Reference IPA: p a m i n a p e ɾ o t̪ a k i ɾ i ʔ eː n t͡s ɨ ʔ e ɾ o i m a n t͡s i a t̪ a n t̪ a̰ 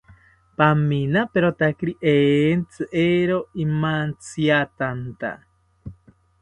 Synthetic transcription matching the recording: p a m i n a p e ɾ o t̪ a k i ɾ i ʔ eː n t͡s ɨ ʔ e ɾ o i m a n t͡s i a t̪ a n t̪ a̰